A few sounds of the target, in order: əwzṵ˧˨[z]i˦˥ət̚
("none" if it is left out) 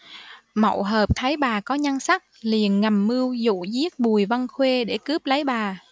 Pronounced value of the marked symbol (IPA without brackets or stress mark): z